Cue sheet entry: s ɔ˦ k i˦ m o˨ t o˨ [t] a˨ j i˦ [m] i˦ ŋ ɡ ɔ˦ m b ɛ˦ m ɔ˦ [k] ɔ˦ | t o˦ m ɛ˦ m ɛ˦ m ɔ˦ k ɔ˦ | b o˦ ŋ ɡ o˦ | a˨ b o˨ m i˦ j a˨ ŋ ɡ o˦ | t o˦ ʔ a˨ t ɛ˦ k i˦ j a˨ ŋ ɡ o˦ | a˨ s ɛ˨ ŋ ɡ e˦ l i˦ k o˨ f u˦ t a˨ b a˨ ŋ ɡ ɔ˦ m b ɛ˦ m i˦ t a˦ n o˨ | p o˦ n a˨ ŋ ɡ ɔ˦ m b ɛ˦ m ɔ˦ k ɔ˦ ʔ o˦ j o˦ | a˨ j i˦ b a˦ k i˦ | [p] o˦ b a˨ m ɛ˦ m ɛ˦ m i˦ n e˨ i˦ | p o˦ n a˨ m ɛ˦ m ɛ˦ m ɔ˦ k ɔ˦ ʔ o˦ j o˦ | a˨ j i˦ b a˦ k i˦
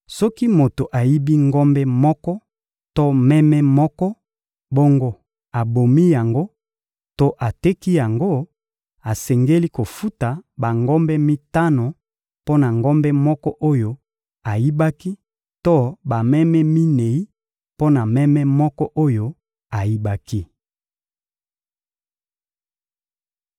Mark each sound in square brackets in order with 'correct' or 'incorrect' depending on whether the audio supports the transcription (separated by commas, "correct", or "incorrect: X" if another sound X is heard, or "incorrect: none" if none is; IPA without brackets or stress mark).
incorrect: ʔ, incorrect: b, correct, incorrect: t